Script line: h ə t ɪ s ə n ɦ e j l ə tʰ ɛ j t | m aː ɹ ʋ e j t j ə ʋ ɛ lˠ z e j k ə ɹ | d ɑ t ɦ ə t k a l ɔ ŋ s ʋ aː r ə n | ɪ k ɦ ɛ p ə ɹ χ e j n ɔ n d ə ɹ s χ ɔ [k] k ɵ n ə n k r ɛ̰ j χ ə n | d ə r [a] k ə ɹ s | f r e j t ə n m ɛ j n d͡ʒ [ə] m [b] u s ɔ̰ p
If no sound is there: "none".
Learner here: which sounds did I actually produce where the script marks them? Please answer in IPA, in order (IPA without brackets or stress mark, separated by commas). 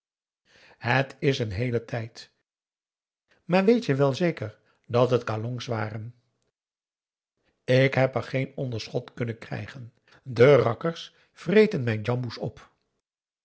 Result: t, ɑ, ɑ, b